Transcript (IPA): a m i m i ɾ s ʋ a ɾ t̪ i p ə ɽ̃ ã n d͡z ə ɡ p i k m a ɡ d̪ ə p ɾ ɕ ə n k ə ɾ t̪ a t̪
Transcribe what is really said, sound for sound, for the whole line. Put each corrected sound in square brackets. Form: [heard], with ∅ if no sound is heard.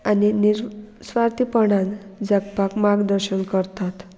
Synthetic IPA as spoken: a [n] i [n] i ɾ s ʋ a ɾ t̪ i p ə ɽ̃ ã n d͡z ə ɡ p [a] k m a ɡ d̪ ə [∅] ɾ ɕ ə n k ə ɾ t̪ a t̪